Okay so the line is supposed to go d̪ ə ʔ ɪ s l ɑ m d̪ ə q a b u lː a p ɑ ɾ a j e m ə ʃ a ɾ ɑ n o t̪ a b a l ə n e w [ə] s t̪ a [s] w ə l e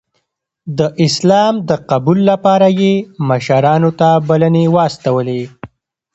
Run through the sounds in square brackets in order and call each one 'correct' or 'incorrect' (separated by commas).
incorrect, incorrect